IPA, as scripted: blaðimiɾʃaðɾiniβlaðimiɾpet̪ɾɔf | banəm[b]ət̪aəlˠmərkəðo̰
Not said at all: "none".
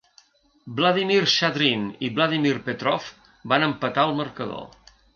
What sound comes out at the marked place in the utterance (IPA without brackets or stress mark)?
p